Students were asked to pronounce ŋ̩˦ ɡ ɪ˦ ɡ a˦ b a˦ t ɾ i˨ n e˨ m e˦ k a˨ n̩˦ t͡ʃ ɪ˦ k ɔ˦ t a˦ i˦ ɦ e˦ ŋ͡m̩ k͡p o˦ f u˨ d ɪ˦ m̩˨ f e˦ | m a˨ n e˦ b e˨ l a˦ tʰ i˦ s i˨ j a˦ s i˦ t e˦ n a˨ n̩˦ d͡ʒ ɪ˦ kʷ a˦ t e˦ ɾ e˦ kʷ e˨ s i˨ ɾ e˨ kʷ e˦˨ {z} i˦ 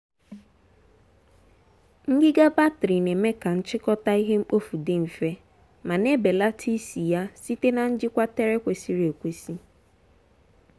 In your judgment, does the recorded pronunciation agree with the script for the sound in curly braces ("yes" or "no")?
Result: no